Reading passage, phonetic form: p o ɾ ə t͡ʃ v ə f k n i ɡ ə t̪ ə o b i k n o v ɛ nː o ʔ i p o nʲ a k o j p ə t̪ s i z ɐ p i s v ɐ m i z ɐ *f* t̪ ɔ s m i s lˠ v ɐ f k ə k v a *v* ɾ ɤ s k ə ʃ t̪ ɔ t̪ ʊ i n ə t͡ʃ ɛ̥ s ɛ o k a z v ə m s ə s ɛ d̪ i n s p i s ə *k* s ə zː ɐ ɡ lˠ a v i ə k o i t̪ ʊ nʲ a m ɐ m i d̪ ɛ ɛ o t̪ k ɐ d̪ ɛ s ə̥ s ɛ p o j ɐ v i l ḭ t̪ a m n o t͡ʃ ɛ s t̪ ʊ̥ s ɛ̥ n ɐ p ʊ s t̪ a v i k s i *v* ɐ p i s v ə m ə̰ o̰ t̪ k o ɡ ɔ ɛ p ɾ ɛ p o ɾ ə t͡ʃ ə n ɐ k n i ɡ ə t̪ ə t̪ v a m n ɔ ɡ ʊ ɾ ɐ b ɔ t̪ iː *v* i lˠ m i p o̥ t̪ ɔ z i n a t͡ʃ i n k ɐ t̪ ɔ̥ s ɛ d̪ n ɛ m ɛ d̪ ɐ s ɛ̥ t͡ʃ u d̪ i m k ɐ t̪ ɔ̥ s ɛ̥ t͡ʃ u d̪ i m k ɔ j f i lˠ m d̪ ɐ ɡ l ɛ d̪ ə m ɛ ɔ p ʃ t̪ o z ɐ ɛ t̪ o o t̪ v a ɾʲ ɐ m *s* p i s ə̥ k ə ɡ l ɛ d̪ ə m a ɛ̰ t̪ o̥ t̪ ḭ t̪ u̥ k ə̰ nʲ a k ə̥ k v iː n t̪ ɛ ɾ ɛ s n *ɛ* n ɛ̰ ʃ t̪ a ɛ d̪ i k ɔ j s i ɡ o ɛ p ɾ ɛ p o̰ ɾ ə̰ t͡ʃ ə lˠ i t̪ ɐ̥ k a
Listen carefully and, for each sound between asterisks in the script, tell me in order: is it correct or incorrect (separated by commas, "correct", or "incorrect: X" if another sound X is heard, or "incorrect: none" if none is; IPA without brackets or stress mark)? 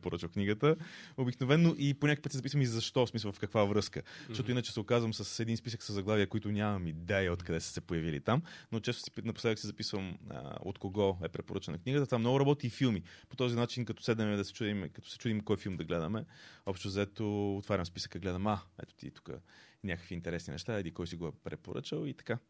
incorrect: ʃ, correct, correct, incorrect: z, incorrect: f, correct, incorrect: i